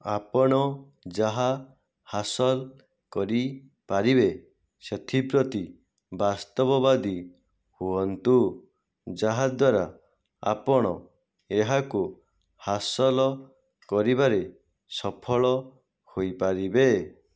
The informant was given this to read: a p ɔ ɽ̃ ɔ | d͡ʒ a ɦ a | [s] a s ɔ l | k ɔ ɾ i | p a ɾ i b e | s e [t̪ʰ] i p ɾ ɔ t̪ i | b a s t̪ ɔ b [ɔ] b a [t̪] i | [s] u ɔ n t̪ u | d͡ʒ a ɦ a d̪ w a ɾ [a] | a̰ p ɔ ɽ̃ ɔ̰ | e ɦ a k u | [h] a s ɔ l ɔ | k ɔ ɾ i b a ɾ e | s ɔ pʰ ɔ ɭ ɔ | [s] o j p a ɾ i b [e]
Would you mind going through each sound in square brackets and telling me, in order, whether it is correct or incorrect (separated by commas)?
incorrect, correct, correct, incorrect, incorrect, correct, correct, incorrect, correct